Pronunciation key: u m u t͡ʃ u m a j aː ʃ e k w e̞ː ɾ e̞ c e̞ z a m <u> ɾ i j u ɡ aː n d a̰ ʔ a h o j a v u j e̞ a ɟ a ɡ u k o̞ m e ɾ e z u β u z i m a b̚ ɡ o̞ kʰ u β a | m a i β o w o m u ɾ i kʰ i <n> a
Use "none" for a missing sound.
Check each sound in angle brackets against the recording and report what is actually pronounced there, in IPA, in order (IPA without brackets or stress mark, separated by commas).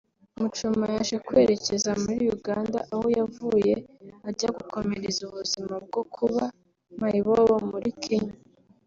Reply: u, ɲ